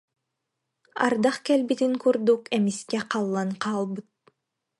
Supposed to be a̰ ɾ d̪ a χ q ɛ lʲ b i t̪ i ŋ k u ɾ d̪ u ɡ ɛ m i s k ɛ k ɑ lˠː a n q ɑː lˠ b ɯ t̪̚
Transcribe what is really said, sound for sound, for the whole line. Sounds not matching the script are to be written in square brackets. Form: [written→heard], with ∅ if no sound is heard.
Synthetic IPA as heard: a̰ ɾ d̪ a χ [q→k] ɛ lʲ b i t̪ i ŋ k u ɾ d̪ u [ɡ→k] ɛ m i s k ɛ [k→q] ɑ lˠː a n q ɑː lˠ b ɯ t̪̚